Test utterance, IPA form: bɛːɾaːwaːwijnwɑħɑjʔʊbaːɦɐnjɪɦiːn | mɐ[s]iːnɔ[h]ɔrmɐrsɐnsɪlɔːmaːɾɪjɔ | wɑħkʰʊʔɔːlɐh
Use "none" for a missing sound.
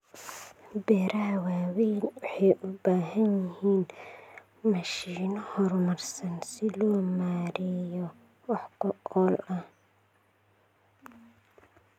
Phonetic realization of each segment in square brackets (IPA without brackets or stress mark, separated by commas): ʃ, h